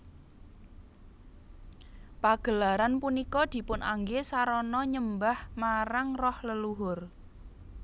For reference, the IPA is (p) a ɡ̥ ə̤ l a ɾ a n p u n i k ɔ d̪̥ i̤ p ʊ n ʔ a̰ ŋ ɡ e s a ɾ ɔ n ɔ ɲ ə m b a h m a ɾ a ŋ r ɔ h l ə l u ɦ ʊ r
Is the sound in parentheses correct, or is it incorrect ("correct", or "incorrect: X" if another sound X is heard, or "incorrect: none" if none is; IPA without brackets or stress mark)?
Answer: correct